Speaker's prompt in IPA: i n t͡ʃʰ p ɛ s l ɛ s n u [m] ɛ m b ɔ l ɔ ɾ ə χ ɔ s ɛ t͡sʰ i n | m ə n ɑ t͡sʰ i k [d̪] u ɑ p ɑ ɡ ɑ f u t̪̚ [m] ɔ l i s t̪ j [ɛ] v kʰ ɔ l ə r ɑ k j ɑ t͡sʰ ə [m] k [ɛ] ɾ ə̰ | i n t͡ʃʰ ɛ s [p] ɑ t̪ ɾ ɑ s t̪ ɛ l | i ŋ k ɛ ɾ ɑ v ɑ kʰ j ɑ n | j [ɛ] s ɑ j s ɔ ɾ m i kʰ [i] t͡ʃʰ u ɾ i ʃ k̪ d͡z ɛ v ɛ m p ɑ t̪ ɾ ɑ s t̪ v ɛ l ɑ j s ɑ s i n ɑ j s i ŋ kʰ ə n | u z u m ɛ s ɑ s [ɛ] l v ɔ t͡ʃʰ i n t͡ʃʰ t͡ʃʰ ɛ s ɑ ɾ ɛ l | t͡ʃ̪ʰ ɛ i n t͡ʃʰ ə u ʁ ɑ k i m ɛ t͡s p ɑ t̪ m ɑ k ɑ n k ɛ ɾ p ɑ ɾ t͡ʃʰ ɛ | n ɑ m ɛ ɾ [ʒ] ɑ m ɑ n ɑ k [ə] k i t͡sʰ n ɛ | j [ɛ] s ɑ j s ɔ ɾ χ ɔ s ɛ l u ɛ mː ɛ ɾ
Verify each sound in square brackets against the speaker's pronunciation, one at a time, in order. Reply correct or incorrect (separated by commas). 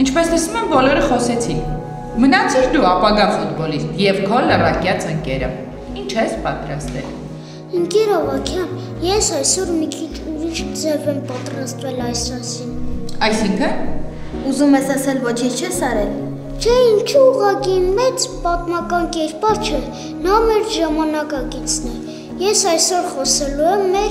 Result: correct, correct, incorrect, correct, incorrect, correct, correct, correct, correct, correct, correct, incorrect, correct